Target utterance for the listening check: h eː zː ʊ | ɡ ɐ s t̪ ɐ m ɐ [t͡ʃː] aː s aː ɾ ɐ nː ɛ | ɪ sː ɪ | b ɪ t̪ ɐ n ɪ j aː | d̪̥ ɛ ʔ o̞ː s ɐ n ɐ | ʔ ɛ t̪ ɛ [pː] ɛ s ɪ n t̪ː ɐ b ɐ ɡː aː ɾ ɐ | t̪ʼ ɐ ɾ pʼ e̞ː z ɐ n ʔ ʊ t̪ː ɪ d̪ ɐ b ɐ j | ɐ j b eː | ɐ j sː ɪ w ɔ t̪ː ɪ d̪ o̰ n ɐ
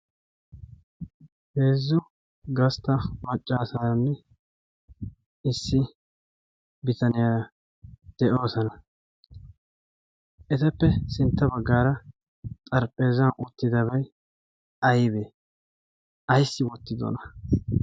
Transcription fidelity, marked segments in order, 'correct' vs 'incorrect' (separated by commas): incorrect, correct